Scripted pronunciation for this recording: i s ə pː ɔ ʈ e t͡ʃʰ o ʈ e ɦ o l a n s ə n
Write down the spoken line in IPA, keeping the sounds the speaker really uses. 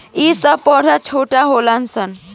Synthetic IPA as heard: i s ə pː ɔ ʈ a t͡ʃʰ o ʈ a ɦ o l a n s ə n